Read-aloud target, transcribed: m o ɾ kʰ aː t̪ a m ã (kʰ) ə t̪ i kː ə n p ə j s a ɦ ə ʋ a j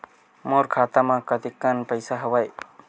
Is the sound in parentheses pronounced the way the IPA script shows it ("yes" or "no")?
no